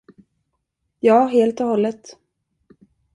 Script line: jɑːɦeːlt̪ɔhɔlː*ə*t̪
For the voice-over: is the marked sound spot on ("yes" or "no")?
yes